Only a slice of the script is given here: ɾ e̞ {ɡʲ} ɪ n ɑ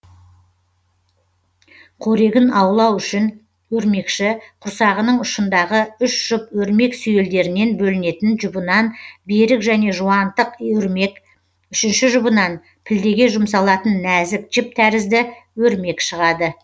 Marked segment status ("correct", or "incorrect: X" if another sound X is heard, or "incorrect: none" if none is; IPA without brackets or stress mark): correct